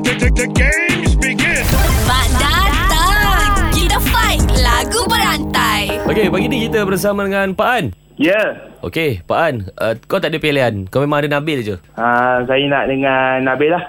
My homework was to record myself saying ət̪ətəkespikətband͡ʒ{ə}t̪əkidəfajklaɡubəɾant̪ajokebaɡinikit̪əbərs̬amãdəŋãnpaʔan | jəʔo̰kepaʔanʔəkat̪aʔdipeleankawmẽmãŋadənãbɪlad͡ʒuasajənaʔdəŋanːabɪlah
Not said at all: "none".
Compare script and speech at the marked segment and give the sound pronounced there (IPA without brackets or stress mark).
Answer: a